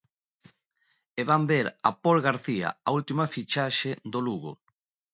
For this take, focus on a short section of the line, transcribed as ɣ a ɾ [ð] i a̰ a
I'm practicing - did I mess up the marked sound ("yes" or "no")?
yes